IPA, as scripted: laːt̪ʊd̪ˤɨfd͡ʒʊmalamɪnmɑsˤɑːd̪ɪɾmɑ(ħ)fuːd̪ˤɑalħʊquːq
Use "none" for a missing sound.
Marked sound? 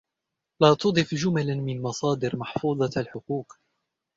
ħ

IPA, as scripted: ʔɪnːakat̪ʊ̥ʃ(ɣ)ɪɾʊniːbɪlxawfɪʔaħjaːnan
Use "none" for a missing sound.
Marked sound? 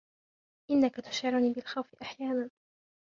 ʕ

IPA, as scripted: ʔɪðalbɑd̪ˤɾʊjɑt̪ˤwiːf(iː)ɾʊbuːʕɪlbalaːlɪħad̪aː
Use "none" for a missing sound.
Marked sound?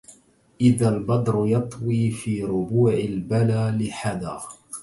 iː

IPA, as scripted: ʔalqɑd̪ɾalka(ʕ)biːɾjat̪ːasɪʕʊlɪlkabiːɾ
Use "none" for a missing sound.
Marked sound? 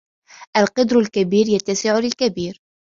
none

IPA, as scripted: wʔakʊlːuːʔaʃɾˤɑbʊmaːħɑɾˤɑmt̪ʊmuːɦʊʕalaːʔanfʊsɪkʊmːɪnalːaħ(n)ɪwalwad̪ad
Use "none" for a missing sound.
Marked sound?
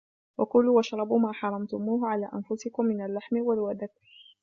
m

